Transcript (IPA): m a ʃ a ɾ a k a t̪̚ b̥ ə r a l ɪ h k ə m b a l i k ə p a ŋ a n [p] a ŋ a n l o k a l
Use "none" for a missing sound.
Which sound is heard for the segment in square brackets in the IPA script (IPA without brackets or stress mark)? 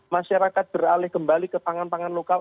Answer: p